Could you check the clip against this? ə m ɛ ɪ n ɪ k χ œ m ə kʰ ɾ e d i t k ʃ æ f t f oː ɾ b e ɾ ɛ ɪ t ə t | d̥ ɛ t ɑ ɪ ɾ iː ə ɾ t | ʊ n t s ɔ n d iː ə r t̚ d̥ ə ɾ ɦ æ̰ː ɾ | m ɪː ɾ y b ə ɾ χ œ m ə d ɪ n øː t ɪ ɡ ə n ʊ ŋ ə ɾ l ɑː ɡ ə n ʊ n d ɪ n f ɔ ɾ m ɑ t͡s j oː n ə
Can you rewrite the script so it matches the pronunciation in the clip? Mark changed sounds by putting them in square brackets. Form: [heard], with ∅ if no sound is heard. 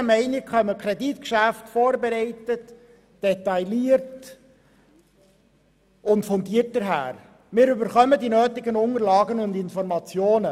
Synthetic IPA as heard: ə m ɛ ɪ n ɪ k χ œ m ə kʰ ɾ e d i t k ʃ æ f t f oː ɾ b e ɾ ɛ ɪ t ə t | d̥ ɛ t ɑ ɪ [l] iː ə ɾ t | ʊ n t [f] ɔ n d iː ə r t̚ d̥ ə ɾ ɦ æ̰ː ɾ | m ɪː ɾ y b ə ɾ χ œ m ə d [i] n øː t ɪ ɡ ə n ʊ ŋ ə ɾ l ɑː ɡ ə n ʊ n d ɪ n f ɔ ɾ m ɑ t͡s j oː n ə

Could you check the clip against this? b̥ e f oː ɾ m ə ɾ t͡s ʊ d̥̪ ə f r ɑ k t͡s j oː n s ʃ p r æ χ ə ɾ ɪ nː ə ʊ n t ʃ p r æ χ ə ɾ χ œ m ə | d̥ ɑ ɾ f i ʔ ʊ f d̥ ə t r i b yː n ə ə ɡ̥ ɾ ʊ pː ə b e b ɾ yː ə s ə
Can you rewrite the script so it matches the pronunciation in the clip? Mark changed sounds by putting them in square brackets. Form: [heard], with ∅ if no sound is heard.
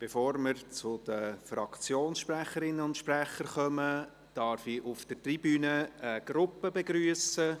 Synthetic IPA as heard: b̥ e f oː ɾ m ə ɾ t͡s ʊ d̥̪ ə f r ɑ k t͡s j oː n s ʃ p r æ χ ə ɾ ɪ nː ə ʊ n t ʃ p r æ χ ə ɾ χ œ m ə | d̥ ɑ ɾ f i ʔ ʊ f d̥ ə t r i b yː n ə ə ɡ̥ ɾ ʊ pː ə b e [ɡ] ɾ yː ə s ə

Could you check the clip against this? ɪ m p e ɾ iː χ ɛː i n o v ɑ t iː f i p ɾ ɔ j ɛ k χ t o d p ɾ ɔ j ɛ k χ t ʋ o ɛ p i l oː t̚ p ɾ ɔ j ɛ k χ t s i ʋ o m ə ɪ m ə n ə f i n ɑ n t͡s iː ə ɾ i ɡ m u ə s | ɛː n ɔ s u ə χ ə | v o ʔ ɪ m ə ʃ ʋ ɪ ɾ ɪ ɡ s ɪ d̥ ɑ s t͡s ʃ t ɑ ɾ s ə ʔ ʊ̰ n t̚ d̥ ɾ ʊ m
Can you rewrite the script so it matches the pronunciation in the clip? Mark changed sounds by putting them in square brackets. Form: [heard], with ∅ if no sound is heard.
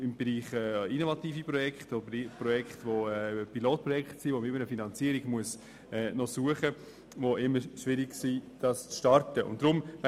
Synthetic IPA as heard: ɪ m [b] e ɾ iː χ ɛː i n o v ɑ t iː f i p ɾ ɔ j ɛ k χ t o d p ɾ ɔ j ɛ k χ t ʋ o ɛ p i l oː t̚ p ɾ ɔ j ɛ k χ t s i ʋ o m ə ɪ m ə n ə f i n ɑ n t͡s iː ə ɾ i ɡ m u ə s | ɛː n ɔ s u ə χ ə | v o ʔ ɪ m ə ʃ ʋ ɪ ɾ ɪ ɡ s [i] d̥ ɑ s t͡s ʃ t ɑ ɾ [t] ə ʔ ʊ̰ n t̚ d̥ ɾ ʊ m

